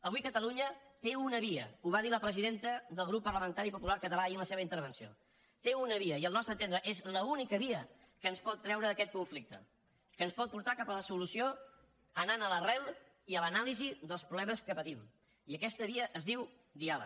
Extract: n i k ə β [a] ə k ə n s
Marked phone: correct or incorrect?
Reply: incorrect: i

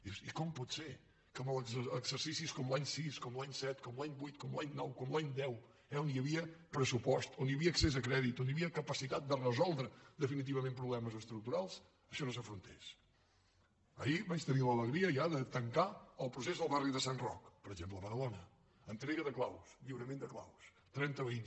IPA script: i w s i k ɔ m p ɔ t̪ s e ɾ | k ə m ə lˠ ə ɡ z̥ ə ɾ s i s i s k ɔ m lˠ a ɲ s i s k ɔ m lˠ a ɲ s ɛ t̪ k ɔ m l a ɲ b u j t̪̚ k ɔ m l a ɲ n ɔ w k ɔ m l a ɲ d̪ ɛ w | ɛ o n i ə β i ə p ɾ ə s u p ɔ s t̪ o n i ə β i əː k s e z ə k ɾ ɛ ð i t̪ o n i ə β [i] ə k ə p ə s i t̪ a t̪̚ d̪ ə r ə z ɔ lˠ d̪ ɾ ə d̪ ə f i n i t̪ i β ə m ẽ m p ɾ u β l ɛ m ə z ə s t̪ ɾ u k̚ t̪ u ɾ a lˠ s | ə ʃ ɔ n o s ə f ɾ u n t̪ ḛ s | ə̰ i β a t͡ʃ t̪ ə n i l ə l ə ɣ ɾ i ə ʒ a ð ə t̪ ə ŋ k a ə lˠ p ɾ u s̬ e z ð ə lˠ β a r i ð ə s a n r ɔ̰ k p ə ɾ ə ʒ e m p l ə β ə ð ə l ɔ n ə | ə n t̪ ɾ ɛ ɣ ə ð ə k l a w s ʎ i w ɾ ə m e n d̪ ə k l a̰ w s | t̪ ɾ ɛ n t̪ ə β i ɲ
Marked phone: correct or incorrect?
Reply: correct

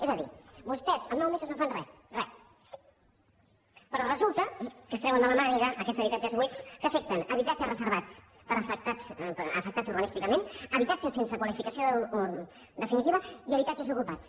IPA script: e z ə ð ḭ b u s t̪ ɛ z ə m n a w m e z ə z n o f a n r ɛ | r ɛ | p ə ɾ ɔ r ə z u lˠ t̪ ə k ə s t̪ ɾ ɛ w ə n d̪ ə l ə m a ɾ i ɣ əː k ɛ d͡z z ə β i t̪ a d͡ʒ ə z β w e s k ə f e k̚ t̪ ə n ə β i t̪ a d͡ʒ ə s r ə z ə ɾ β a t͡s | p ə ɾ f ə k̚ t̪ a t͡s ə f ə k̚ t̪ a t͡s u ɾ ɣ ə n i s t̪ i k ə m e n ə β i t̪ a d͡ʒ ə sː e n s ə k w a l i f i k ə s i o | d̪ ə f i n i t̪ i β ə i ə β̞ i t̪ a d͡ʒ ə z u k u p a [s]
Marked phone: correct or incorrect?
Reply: incorrect: t͡s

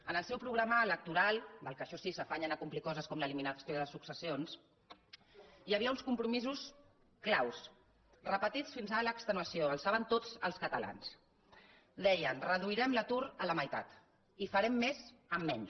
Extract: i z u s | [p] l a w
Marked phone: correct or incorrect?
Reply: incorrect: k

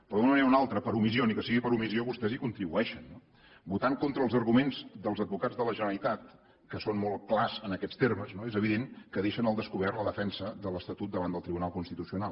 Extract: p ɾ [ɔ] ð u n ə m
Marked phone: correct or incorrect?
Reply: correct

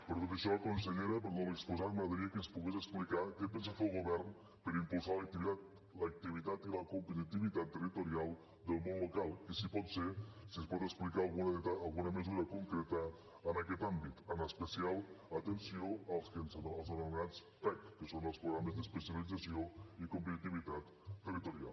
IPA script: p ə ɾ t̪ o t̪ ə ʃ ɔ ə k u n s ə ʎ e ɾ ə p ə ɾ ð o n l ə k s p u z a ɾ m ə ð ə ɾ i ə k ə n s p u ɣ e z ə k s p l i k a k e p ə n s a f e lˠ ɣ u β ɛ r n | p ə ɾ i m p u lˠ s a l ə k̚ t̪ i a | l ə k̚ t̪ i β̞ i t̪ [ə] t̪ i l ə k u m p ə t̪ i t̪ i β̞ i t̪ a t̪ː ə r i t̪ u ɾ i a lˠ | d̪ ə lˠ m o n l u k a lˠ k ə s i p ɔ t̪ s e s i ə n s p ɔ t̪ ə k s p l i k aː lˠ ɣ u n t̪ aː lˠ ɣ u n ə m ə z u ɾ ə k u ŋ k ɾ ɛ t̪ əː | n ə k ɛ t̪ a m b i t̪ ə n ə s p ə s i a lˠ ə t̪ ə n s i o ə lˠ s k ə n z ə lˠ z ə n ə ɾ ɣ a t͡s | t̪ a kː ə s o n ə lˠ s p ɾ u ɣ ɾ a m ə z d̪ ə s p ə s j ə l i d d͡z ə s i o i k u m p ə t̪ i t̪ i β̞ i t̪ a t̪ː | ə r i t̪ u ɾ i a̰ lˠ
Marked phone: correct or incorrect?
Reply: incorrect: a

